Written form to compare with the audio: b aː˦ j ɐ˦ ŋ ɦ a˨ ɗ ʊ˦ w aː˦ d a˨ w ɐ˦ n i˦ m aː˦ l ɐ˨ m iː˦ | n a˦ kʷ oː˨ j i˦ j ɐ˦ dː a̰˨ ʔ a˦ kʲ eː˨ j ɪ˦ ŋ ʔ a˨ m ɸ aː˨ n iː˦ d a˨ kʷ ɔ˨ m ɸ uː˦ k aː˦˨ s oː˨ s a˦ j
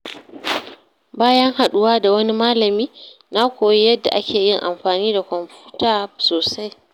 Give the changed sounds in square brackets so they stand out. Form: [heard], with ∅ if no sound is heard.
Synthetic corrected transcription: b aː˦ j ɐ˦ ŋ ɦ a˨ ɗ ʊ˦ w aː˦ d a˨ w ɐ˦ n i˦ m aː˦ l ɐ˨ m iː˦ | n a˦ kʷ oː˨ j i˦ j ɐ˦ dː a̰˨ ʔ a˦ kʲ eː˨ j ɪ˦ ŋ ʔ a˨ m ɸ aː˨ n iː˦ d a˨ kʷ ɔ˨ m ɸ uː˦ [t] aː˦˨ s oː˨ s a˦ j

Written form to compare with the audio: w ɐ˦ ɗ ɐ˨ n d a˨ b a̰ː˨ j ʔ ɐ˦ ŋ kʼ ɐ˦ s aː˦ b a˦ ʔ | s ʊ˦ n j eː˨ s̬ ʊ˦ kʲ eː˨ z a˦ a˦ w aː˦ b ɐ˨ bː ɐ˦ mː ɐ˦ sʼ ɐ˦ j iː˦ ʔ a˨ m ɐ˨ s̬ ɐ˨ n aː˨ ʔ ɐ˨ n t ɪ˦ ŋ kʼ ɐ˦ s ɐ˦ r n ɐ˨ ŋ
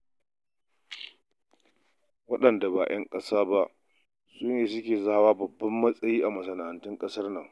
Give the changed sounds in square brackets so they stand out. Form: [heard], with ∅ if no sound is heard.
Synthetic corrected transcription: w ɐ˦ ɗ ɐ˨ n d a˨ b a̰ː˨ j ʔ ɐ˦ ŋ kʼ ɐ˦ s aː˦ b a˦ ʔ | s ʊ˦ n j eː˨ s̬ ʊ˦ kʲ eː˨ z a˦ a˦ w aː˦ b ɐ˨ bː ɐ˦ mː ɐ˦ sʼ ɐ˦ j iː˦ ʔ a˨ m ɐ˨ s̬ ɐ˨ n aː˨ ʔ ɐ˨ n t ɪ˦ ŋ kʼ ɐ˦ s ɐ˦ r n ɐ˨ ŋ

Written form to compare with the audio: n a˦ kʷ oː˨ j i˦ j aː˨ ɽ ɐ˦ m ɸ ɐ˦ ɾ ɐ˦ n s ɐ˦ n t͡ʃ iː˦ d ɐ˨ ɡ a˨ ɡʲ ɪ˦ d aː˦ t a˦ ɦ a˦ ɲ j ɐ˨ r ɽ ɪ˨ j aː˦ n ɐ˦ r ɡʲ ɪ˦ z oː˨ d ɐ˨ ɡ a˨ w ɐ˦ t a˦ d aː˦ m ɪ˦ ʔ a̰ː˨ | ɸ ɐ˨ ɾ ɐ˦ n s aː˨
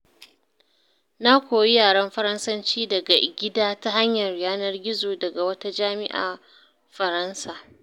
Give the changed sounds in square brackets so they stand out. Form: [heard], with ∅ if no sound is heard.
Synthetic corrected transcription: n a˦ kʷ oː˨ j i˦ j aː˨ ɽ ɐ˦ m ɸ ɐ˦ ɾ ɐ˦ n s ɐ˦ n t͡ʃ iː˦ d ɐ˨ ɡ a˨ ɡʲ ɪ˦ d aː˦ t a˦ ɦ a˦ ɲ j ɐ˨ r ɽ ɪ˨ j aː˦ n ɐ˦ r ɡʲ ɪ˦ z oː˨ d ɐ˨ ɡ a˨ w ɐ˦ t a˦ [d͡ʒ] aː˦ m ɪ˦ ʔ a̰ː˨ | ɸ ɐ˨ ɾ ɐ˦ n s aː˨

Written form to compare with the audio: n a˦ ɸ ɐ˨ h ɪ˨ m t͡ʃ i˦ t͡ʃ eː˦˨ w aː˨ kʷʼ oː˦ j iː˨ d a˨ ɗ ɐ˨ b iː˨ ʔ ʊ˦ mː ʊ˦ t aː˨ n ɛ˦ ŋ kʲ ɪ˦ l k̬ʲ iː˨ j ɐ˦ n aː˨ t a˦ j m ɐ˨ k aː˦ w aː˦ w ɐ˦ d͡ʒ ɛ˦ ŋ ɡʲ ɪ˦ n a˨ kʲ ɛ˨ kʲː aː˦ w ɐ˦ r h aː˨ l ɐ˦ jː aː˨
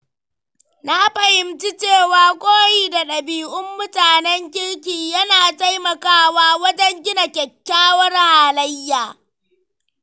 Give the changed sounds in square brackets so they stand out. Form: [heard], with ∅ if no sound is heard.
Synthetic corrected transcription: n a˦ ɸ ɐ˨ h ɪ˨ m t͡ʃ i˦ t͡ʃ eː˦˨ w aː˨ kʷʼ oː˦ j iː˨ d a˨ ɗ ɐ˨ b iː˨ ʔ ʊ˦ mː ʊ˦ t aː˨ n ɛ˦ ŋ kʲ ɪ˦ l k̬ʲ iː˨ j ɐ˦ n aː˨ t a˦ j m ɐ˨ k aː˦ w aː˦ w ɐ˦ d͡ʒ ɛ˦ ŋ ɡʲ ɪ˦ n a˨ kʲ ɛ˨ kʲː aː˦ w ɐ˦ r h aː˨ l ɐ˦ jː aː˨

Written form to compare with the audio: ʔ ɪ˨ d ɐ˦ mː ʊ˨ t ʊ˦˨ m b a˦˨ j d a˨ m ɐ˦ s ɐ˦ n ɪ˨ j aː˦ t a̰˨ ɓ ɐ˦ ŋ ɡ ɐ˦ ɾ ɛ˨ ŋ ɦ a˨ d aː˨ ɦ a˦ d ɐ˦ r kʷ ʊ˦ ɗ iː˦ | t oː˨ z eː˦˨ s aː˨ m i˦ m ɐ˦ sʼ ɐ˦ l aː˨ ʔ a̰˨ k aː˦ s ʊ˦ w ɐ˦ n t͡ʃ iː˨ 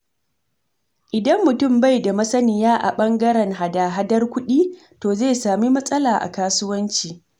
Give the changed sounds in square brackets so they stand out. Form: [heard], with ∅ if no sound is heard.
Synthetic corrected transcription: ʔ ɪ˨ d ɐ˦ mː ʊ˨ t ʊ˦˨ m b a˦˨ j d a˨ m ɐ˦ s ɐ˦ n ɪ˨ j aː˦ [ʔ] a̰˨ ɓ ɐ˦ ŋ ɡ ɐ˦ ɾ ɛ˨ ŋ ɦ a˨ d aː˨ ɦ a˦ d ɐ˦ r kʷ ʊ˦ ɗ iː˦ | t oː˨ z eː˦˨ s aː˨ m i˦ m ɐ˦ sʼ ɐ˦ l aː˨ ʔ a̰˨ k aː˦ s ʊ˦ w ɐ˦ n t͡ʃ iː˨

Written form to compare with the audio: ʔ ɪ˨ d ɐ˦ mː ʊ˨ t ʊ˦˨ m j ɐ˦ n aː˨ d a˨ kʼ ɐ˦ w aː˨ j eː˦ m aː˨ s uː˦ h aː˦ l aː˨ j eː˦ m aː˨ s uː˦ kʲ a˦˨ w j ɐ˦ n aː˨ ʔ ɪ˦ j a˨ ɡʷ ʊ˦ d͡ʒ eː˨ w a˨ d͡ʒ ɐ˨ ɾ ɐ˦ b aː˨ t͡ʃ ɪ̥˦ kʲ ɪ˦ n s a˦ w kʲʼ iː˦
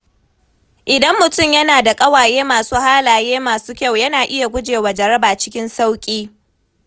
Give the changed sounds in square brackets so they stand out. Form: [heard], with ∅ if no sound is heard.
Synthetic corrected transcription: ʔ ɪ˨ d ɐ˦ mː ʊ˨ t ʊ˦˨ m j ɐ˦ n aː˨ d a˨ kʼ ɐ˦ w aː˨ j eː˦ m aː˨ s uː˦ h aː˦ l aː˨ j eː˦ m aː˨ s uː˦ kʲ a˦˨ w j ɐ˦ n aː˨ ʔ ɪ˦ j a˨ ɡʷ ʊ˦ d͡ʒ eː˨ w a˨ d͡ʒ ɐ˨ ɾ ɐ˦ b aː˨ t͡ʃ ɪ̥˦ kʲ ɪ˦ n s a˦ w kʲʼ iː˦

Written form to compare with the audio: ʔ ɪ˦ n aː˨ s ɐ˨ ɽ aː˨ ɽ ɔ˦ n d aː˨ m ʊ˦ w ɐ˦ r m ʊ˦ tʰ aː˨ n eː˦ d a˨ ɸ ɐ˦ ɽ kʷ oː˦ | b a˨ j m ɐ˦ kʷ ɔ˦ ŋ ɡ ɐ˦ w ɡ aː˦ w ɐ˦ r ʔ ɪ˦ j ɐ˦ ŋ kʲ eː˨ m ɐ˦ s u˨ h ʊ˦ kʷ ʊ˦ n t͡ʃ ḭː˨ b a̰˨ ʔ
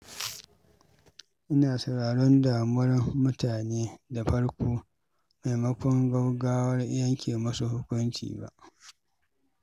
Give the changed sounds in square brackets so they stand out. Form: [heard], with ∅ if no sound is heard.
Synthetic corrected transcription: ʔ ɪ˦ n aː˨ s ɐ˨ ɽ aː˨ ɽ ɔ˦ n d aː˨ m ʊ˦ w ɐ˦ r m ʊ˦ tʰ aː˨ n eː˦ d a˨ ɸ ɐ˦ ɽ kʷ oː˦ | [m] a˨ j m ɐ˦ kʷ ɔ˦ ŋ ɡ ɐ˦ w ɡ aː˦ w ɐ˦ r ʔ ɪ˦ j ɐ˦ ŋ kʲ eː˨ m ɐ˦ s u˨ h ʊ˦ kʷ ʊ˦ n t͡ʃ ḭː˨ b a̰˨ ʔ

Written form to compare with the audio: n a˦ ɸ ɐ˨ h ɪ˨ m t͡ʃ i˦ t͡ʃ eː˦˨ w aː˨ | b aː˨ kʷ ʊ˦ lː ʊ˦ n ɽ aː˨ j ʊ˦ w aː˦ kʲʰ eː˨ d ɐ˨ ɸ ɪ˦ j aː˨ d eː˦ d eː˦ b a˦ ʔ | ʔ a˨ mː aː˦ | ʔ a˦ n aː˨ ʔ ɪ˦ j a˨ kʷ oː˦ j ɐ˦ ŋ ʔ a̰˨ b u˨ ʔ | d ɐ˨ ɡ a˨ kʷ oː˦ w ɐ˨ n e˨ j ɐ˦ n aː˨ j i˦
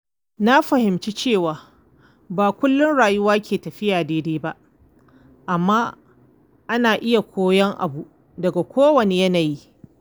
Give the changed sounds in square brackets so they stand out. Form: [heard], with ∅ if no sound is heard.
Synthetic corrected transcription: n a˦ ɸ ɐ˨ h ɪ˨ m t͡ʃ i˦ t͡ʃ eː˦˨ w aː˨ | b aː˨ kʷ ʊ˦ lː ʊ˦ n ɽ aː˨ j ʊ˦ w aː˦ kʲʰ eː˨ [t] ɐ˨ ɸ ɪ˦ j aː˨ d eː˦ d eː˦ b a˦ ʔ | ʔ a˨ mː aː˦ | ʔ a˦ n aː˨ ʔ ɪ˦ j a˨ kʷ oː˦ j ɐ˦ ŋ ʔ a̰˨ b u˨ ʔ | d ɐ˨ ɡ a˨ kʷ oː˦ w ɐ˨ n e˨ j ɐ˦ n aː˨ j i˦

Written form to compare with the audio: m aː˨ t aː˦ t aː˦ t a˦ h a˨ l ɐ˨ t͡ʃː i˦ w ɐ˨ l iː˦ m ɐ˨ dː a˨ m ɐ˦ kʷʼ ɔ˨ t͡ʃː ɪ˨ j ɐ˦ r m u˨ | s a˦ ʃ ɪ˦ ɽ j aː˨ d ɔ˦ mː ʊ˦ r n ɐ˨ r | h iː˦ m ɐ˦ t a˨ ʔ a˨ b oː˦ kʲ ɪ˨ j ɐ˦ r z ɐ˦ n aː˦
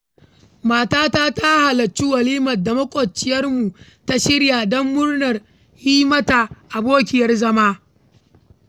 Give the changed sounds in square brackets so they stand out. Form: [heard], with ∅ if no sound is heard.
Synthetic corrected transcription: m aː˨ t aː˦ t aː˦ t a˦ h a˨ l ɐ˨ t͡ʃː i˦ w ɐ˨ l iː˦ m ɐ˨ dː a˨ m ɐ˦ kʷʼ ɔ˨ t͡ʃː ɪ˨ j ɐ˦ r m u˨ | [t] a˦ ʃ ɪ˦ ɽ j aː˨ d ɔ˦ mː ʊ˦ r n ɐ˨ r | h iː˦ m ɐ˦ t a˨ ʔ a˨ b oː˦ kʲ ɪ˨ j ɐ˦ r z ɐ˦ [m] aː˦

